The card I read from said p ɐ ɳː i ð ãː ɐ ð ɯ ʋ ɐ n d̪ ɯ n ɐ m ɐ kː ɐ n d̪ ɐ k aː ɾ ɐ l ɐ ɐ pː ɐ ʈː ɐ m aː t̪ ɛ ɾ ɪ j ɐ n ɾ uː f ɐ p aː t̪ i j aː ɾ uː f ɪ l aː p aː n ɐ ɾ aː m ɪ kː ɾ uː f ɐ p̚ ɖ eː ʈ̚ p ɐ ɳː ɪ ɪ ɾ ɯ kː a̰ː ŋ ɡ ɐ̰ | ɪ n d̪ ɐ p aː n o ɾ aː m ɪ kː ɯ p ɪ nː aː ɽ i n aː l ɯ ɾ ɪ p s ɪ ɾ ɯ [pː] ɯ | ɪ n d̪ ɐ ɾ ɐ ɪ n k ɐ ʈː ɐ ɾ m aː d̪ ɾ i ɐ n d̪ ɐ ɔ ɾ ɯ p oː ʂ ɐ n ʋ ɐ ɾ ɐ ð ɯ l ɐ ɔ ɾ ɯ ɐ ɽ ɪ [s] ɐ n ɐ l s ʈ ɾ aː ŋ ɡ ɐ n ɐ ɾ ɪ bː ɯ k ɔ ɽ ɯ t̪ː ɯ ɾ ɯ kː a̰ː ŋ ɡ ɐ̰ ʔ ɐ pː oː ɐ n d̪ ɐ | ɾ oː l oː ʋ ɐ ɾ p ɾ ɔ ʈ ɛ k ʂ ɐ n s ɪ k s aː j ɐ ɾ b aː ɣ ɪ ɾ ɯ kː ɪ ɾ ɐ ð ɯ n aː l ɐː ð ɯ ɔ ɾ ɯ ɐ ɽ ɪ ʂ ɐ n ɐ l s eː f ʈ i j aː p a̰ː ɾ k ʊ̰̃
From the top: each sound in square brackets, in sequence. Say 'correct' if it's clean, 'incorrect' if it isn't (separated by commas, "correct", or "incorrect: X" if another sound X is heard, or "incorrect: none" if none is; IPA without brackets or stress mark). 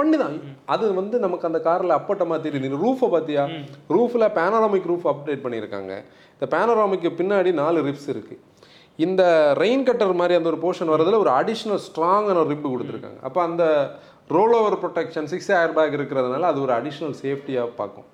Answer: incorrect: kː, incorrect: ʂ